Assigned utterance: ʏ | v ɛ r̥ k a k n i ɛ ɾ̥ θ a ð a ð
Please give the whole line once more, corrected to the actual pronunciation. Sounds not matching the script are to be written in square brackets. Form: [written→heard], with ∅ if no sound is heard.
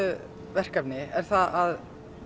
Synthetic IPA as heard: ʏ | v ɛ r̥ k a [k→p] n [i→ɪ] ɛ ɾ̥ θ a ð a ð